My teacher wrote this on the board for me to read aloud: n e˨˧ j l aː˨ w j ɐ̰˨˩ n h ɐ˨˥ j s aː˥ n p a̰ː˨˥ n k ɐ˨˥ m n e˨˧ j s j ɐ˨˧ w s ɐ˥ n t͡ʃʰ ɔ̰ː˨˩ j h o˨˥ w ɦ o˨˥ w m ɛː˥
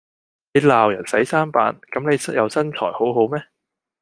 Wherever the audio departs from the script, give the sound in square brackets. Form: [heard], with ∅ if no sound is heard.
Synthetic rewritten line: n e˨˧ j l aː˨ w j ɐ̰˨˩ n [s] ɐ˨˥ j s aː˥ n p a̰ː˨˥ n k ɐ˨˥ m n e˨˧ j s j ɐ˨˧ w s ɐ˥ n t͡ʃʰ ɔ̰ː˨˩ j h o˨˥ w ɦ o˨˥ w m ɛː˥